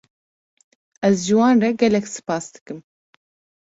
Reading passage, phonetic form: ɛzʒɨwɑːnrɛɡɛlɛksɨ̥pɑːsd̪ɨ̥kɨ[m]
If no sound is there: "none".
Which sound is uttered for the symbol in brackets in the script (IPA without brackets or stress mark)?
m